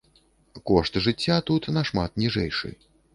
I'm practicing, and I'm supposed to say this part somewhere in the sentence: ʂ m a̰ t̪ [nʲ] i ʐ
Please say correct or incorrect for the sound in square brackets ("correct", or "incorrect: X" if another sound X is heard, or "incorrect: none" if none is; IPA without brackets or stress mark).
correct